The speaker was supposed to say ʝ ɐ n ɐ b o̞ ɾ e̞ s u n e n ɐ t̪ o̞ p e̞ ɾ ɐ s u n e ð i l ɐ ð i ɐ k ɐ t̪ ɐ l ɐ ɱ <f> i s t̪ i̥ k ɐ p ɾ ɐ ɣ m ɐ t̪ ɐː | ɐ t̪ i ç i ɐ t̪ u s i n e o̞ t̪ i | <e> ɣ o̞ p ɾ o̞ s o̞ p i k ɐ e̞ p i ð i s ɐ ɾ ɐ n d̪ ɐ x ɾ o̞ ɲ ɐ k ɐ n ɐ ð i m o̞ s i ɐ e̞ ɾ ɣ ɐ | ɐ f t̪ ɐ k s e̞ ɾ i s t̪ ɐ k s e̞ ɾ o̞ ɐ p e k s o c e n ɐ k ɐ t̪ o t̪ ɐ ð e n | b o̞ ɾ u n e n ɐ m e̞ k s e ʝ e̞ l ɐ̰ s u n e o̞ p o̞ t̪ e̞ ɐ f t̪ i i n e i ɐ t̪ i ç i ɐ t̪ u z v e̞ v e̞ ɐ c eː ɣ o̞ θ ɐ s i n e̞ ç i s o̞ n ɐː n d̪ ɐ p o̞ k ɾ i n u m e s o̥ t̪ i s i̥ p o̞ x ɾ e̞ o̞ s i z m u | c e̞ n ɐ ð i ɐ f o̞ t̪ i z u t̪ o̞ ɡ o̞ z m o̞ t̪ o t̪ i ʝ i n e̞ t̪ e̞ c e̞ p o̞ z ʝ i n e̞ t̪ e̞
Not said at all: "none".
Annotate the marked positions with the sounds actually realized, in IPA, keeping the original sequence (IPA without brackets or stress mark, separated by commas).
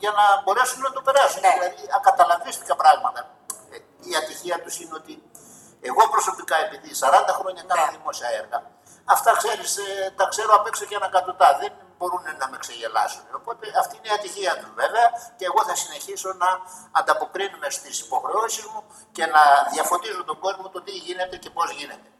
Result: v, e